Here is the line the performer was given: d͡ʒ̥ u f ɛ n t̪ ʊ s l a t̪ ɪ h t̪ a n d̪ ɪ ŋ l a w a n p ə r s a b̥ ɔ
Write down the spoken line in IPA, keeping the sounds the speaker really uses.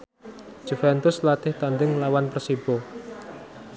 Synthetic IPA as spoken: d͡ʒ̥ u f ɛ n t̪ ʊ s l a t̪ ɪ h t̪ a n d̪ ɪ ŋ l a w a n p ə r s i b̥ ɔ